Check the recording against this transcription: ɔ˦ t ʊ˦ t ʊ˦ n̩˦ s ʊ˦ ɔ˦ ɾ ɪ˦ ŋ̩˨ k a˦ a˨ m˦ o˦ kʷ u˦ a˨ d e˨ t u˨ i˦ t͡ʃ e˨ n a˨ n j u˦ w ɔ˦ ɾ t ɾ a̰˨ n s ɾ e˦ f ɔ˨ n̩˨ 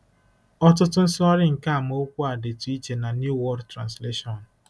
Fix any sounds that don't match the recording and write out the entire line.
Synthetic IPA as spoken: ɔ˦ t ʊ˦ t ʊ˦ n̩˦ s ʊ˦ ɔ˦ ɾ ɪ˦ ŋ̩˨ k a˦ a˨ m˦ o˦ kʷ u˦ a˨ d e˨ t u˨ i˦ t͡ʃ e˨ n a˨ n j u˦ w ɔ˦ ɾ t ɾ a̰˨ n s l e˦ ʃ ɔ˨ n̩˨